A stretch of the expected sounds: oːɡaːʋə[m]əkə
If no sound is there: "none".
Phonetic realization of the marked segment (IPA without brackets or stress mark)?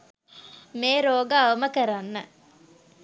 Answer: m